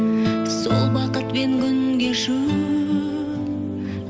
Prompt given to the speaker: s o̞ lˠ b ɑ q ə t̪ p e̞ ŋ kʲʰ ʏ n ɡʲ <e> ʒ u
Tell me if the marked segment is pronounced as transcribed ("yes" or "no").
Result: yes